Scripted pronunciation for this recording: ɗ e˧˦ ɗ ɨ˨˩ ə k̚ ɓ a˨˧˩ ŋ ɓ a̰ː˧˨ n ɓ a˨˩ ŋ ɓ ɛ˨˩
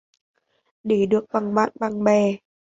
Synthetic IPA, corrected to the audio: ɗ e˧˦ ɗ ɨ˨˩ ə k̚ ɓ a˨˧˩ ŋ ɓ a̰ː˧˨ n ɓ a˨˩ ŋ ɓ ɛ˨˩